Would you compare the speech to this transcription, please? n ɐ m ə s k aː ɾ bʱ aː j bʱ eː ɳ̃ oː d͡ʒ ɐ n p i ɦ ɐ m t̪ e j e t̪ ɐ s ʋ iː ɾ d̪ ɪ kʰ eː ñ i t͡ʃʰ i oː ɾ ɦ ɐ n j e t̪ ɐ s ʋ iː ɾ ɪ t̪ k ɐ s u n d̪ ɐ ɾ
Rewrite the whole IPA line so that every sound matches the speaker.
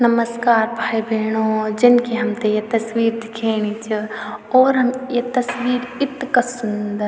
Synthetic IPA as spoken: n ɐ m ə s k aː ɾ bʱ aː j bʱ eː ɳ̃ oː d͡ʒ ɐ n k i ɦ ɐ m t̪ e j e t̪ ɐ s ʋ iː ɾ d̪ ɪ kʰ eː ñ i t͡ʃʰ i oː ɾ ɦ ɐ m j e t̪ ɐ s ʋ iː ɾ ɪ t̪ k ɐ s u n d̪ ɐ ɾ